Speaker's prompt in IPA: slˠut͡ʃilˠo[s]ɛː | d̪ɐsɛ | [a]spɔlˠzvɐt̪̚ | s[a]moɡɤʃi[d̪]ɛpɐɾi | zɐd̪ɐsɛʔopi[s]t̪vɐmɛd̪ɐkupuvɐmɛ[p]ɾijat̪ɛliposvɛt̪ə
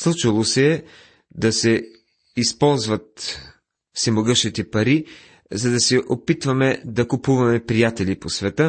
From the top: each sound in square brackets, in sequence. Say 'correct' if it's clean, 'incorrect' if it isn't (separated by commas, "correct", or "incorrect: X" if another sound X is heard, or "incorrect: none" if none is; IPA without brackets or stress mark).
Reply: correct, incorrect: i, incorrect: ɛ, incorrect: t̪, incorrect: none, correct